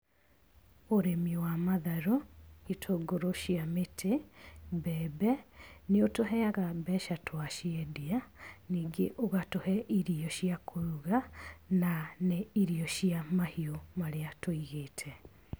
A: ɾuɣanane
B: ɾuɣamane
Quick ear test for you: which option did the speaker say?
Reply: A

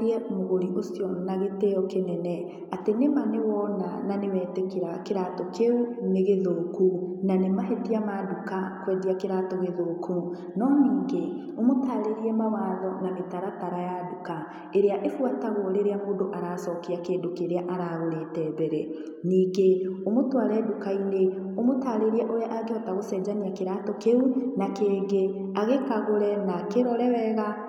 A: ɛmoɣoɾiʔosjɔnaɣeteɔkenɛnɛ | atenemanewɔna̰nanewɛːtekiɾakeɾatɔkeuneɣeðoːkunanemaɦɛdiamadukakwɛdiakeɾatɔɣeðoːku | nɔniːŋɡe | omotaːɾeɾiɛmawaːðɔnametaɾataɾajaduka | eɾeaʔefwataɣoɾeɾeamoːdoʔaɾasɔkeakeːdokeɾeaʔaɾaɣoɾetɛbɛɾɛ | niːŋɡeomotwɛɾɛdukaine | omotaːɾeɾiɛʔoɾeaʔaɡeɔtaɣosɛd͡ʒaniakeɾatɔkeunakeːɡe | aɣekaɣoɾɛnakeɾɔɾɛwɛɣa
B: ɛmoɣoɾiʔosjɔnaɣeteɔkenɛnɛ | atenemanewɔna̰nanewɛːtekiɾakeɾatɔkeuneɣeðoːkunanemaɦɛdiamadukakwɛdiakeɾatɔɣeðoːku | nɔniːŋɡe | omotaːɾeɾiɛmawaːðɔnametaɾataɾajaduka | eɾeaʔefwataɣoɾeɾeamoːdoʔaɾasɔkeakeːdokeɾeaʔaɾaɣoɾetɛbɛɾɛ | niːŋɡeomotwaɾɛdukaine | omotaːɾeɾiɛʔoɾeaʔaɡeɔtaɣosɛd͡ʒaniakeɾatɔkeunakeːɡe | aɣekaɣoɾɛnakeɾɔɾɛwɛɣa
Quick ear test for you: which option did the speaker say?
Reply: B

